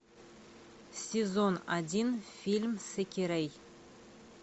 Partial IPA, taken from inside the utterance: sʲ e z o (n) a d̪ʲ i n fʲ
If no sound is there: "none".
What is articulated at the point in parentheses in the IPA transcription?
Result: n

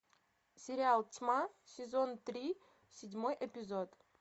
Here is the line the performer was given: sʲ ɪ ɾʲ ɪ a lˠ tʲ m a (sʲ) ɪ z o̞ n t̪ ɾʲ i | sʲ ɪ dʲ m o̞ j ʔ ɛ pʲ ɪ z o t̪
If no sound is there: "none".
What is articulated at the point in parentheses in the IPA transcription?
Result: sʲ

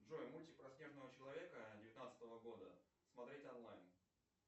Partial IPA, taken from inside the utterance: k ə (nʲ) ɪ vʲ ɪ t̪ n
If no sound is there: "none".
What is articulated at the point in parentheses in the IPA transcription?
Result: dʲ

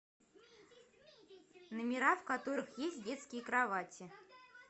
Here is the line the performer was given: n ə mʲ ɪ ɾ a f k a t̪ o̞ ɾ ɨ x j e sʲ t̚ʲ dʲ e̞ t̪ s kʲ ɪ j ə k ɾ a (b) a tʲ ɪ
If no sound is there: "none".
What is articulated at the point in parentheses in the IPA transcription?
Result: v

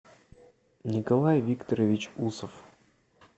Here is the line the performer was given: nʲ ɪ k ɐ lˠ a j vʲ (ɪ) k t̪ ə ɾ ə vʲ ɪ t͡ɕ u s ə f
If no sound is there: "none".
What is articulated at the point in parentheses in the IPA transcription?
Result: i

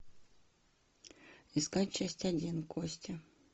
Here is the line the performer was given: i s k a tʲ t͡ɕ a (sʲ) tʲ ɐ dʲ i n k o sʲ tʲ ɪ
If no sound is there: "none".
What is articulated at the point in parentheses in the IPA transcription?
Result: sʲ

